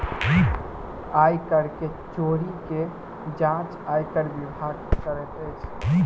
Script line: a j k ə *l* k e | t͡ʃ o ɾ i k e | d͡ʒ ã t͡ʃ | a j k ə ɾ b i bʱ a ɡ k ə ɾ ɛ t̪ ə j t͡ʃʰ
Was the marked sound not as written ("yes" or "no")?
yes